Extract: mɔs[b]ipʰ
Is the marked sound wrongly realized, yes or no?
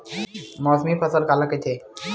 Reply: yes